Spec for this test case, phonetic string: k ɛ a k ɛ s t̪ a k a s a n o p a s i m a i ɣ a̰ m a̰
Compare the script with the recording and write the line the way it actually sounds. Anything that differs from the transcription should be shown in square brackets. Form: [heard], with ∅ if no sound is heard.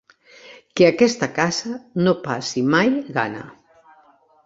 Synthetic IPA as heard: k [e] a k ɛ s t̪ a k a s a n o p a s i m a [j] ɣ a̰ [n] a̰